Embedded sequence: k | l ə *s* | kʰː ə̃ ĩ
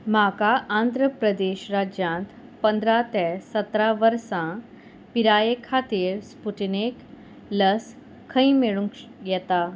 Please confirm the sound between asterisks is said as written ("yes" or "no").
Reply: yes